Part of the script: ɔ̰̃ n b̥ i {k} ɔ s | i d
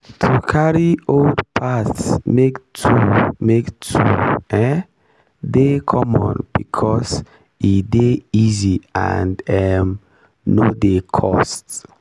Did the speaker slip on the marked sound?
yes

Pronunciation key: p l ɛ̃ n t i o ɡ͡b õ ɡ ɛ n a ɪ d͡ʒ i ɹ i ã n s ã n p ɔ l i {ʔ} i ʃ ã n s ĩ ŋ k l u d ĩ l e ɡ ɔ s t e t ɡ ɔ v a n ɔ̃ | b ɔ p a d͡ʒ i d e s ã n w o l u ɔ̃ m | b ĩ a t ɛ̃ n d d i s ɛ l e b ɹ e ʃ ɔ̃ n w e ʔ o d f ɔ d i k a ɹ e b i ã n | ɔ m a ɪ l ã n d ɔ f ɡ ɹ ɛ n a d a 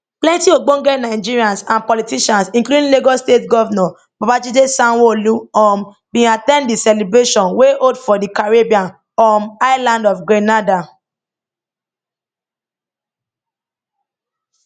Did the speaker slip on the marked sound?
yes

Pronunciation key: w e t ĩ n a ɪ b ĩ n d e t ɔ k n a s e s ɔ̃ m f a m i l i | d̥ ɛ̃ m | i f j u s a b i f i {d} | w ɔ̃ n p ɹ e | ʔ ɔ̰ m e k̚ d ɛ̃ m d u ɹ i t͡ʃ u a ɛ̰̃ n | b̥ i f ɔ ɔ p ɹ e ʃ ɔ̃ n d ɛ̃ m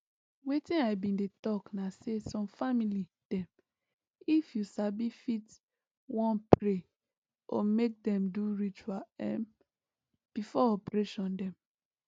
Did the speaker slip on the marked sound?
yes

